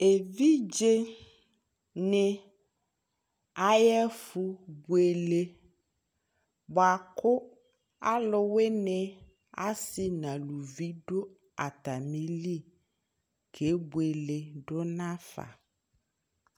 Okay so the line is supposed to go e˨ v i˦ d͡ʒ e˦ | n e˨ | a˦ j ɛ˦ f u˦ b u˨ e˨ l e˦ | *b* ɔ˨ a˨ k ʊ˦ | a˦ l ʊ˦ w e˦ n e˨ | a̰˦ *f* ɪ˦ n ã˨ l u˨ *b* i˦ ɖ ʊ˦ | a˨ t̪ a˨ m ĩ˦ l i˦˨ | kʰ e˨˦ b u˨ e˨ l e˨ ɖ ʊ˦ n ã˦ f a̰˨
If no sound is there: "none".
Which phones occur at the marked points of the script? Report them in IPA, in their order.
b, s, v

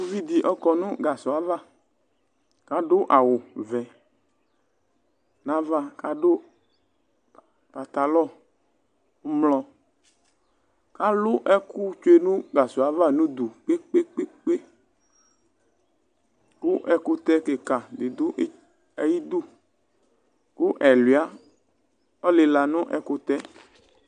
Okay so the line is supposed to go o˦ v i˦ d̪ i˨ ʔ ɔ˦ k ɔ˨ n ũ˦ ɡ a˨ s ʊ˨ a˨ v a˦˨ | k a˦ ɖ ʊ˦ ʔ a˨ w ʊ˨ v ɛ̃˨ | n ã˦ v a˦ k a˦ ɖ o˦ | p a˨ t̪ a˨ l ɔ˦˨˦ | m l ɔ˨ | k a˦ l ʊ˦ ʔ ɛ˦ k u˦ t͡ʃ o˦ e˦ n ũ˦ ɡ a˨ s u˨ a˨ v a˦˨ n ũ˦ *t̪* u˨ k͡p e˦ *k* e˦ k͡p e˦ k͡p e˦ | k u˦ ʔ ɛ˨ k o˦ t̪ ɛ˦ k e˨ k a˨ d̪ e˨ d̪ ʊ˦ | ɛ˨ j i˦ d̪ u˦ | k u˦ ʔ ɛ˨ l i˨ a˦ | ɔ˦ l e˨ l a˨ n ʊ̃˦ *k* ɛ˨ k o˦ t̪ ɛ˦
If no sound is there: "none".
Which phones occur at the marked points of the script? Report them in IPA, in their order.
d̪, k͡p, ʔ

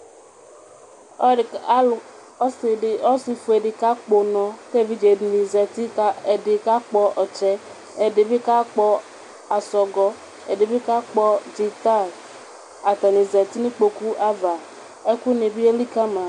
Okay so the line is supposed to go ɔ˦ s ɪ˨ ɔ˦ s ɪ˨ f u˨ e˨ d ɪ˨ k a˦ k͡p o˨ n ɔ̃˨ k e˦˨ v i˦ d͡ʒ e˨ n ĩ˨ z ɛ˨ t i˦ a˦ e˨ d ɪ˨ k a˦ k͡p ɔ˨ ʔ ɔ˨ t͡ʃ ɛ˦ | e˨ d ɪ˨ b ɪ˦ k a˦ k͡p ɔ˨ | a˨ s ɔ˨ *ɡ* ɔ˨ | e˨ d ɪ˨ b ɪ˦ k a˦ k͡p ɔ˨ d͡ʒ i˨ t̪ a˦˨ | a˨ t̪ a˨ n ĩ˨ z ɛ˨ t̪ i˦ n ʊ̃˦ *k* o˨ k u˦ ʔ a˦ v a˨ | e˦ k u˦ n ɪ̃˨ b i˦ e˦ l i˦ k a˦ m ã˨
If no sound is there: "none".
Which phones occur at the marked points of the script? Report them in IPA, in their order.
ɡ, k͡p

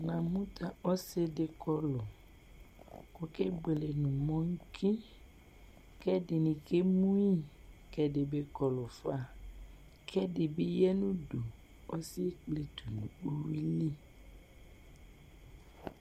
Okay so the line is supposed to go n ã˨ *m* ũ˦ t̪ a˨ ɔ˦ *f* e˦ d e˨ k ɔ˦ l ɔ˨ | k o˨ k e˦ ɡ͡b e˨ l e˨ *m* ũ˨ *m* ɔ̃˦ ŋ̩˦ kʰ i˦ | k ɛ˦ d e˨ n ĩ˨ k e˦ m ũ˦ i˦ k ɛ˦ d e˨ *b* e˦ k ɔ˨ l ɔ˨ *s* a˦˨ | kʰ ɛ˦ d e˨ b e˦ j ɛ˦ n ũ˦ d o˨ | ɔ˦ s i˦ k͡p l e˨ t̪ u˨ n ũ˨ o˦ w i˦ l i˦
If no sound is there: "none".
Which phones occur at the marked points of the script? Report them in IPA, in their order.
m, s, n, m, b, f

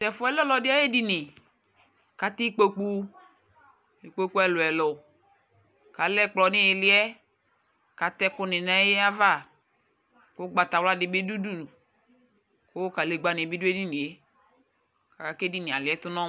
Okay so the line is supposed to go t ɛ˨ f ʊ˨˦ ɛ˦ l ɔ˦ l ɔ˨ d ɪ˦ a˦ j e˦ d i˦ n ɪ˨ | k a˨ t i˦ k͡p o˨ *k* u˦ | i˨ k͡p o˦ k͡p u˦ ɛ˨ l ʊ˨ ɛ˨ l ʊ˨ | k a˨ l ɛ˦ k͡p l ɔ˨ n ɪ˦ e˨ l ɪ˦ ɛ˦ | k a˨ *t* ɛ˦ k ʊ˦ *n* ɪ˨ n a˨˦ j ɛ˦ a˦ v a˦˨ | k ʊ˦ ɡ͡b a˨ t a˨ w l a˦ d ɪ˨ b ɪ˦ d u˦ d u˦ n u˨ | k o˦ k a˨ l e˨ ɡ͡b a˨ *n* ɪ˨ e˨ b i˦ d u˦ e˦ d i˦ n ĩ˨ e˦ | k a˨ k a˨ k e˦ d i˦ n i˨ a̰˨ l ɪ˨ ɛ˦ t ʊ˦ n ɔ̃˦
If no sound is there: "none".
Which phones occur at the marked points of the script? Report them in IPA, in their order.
k͡p, t, n, n

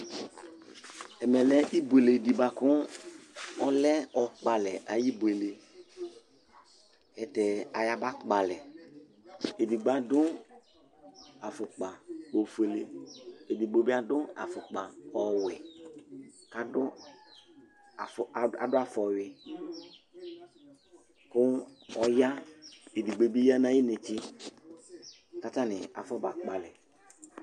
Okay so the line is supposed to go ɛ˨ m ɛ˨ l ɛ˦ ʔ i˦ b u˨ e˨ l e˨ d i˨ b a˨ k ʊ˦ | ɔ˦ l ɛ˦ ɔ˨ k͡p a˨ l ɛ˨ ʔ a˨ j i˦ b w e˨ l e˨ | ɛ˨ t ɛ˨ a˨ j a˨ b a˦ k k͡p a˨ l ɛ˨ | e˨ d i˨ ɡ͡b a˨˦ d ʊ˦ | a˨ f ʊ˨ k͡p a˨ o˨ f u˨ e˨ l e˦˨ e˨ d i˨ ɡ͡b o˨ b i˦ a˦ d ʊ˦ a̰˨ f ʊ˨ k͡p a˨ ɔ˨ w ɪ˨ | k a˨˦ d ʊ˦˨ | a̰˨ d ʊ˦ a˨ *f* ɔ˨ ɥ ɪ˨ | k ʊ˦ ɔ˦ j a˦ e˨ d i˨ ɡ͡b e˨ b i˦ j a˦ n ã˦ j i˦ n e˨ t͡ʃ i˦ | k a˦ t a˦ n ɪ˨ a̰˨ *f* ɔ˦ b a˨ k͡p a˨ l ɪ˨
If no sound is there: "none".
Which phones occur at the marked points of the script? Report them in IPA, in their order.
f, f

